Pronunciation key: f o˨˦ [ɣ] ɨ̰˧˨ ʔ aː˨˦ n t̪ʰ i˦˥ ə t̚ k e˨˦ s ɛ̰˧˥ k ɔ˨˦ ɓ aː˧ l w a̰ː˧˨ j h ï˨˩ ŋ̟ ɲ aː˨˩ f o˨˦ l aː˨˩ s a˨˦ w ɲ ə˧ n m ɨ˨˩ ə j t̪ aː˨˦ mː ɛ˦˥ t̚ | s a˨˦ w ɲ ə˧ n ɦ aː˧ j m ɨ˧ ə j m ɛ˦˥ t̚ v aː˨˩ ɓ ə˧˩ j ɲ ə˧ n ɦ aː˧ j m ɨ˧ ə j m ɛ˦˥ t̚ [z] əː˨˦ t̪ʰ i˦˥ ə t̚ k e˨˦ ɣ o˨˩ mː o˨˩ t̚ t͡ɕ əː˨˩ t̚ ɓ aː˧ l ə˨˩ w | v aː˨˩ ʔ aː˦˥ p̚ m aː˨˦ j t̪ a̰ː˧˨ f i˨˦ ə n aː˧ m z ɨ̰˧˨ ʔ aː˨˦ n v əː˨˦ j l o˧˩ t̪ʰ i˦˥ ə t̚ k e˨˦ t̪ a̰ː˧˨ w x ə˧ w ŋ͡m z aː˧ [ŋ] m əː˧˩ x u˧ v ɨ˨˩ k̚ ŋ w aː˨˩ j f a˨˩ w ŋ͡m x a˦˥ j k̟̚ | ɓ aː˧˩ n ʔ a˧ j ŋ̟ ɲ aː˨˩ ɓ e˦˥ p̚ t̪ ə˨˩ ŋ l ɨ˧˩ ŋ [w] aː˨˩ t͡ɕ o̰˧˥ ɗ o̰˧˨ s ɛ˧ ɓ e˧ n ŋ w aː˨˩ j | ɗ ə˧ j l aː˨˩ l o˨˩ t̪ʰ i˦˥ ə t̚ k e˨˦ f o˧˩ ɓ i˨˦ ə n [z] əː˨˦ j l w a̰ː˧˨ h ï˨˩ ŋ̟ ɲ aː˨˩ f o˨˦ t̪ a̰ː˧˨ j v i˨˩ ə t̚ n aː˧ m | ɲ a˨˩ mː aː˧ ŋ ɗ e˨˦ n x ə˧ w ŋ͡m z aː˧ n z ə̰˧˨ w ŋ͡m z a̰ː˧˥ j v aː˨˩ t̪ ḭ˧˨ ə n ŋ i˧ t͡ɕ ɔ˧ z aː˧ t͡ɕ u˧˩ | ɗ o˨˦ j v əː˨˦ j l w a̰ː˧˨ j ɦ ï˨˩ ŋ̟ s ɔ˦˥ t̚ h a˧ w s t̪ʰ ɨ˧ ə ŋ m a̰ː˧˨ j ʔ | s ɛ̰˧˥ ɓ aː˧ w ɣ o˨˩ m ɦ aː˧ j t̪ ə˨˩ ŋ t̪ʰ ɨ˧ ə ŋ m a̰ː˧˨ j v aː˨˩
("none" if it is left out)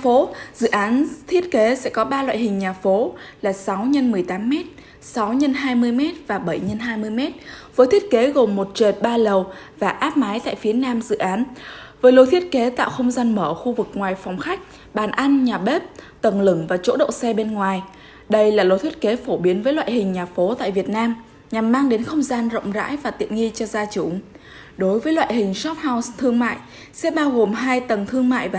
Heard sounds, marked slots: z, v, n, v, v

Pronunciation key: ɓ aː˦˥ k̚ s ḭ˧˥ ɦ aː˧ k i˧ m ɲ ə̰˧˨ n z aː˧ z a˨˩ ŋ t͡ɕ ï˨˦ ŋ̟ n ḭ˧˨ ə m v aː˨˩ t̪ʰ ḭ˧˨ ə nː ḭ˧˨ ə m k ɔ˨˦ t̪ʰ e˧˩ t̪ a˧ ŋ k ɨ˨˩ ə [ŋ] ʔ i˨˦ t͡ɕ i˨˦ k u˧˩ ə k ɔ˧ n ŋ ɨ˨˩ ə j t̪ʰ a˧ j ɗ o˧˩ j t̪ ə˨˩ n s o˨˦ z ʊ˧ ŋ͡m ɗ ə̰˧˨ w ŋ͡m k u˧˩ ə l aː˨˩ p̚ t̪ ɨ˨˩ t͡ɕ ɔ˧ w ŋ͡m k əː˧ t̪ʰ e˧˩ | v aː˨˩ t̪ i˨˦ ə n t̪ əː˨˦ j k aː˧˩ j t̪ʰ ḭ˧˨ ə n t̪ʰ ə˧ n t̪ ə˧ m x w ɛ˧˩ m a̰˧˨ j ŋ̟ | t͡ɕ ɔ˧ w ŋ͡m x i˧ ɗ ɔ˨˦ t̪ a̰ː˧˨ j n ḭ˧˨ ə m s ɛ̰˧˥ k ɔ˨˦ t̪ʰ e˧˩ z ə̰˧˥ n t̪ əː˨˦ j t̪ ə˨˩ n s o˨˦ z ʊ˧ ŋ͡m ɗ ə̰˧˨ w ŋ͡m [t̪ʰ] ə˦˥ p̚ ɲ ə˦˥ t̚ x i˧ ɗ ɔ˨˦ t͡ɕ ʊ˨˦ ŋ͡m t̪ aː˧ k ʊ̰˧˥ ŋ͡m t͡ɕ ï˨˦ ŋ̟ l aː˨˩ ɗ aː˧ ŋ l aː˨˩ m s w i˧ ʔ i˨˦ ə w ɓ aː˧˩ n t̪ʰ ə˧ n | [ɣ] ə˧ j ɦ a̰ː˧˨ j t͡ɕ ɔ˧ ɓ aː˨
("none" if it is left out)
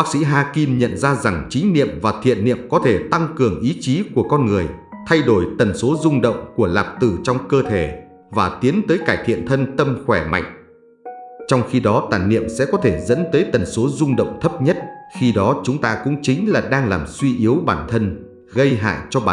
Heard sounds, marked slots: ŋ, t̪ʰ, ɣ

